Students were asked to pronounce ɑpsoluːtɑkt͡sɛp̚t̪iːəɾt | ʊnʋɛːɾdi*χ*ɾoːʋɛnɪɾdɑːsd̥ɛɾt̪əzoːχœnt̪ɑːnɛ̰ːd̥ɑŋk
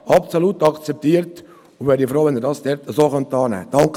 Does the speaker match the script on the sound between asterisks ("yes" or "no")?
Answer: no